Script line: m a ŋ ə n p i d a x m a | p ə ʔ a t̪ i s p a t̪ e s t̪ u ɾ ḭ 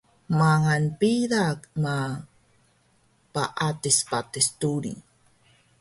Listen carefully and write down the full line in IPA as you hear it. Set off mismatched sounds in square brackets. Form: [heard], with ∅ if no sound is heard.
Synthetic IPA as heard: m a ŋ [a] n p i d a [k] m a | p [a] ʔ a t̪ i s p a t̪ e s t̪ u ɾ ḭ